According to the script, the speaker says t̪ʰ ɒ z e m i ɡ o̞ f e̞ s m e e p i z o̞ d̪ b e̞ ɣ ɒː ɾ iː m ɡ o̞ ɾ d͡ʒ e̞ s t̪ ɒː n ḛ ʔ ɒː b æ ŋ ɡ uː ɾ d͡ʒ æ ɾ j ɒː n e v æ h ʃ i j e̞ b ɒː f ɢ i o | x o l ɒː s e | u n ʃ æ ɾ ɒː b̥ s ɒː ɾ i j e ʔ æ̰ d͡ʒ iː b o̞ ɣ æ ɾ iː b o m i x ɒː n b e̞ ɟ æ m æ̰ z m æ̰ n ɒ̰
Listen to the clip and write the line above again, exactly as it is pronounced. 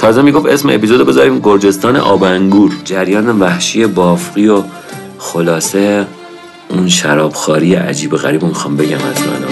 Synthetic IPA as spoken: t̪ʰ ɒː z e m i ɡ o̞ f e̞ s m e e p i z o̞ d̪ b e̞ z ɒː ɾ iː m ɡ o̞ ɾ d͡ʒ e̞ s t̪ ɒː n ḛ ʔ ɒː b æ ŋ ɡ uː ɾ d͡ʒ æ ɾ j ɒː n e v æ h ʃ i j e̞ b ɒː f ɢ i o | x o l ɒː s e | u n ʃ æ ɾ ɒː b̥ x ɒː ɾ i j e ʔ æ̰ d͡ʒ iː b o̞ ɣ æ ɾ iː b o m i x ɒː m b e̞ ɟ æ m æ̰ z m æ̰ n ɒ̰